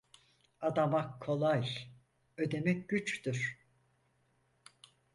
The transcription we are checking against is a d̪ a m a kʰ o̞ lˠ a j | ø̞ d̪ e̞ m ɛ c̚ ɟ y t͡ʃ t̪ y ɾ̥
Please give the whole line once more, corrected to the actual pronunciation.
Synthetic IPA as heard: a d̪ a m a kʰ o̞ lˠ a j | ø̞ d̪ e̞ m ɛ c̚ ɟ y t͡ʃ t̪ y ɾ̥